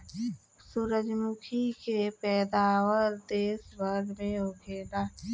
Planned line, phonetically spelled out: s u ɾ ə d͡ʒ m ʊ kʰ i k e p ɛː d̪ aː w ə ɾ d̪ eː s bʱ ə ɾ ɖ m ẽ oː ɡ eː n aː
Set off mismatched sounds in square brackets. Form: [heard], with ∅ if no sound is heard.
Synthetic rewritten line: s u ɾ ə d͡ʒ m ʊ kʰ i k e p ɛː d̪ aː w ə ɾ d̪ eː s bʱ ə ɾ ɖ m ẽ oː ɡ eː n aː